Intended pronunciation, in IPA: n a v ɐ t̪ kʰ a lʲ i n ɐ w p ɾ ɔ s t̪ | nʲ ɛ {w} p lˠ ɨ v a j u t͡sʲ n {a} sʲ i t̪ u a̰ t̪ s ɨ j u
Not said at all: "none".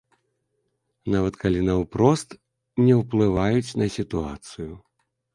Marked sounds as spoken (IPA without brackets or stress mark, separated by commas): w, ɐ